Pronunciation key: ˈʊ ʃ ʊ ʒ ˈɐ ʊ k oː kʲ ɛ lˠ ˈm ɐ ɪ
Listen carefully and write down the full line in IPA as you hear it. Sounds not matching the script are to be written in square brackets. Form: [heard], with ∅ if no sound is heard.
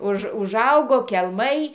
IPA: ˈʊ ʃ ʊ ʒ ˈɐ ʊ [ɡ] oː kʲ ɛ lˠ ˈm ɐ ɪ